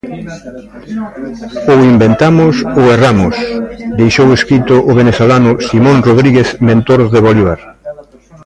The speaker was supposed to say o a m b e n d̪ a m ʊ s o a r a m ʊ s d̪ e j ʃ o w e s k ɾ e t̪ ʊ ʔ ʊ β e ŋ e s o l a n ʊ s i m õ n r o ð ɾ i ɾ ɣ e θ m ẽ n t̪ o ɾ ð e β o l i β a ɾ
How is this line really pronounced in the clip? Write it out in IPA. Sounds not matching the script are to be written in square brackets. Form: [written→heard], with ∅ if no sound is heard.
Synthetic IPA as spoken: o [a→i] m b e n [d̪→t̪] a m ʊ s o [a→e] r a m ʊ s d̪ e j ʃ o w e s k ɾ [e→i] t̪ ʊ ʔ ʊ β e [ŋ→n] e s o l a n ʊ s i m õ n r o ð ɾ i [ɾ→∅] ɣ e θ m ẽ n t̪ o ɾ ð e β o l i β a ɾ